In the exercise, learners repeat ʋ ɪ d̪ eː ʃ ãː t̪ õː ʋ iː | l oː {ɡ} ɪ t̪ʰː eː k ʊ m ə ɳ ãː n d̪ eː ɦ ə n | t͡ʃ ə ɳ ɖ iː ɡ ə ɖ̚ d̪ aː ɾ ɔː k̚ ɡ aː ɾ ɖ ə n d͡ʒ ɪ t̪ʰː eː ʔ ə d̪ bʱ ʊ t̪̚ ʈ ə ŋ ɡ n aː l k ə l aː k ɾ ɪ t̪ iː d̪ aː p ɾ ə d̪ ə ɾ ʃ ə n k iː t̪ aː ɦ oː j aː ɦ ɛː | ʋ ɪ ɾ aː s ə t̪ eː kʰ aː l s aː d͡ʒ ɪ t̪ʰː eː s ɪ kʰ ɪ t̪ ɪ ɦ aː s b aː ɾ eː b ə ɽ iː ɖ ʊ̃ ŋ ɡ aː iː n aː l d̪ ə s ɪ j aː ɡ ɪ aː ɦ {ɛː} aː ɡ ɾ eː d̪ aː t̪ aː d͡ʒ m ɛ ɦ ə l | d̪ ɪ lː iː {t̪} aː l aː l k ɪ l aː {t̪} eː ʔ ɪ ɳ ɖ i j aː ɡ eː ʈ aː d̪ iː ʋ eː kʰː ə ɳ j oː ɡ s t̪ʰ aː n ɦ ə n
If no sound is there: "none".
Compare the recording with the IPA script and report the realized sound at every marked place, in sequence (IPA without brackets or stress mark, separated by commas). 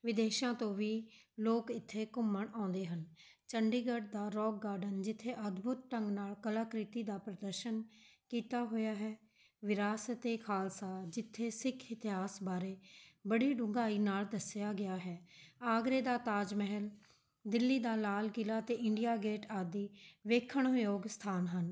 k, ɛː, d̪, t̪